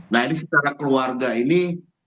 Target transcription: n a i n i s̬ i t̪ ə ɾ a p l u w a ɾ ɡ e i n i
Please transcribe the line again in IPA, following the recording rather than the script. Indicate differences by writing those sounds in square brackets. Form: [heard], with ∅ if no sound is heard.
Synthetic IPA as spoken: n a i n i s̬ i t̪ [a] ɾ a [k] l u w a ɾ ɡ [a] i n i